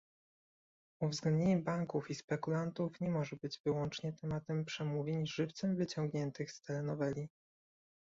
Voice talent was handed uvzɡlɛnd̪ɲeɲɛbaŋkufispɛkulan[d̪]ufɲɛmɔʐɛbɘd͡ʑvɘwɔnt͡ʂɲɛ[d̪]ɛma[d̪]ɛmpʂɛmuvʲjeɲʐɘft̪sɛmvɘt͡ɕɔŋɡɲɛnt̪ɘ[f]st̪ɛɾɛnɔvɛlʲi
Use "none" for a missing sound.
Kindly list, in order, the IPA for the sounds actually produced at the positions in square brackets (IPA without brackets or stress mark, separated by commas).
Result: t̪, t̪, t̪, x